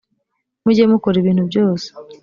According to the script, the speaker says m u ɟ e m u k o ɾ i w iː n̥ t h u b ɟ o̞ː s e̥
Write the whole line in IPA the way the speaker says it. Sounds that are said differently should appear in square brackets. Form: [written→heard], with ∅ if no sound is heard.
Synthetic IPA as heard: m u ɟ e m u k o ɾ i [w→β] iː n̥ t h u b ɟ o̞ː s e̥